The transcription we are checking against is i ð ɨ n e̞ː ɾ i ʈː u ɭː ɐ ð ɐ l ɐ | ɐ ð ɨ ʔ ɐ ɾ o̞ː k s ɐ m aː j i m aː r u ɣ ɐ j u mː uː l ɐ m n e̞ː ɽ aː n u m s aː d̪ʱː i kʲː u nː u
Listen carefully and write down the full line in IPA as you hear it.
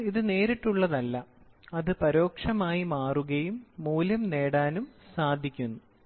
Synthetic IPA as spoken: i ð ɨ n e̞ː ɾ i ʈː u ɭː ɐ ð ɐ lː ɐ | ɐ ð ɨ p ɐ ɾ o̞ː k ʂ ɐ m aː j i m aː r u ɣ ɐ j u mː uː l ɐ m n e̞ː ɽ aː n u m s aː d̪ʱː i kʲː u nː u